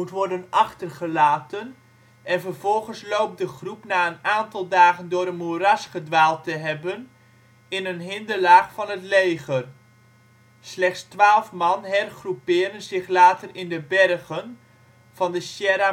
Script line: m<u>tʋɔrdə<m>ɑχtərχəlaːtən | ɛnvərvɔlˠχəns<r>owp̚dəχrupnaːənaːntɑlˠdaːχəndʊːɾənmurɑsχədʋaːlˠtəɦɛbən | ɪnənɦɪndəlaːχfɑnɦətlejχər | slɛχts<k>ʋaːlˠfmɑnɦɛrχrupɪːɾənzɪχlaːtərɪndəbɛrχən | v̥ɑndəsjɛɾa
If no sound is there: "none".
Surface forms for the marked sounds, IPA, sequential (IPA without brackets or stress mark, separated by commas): u, n, l, t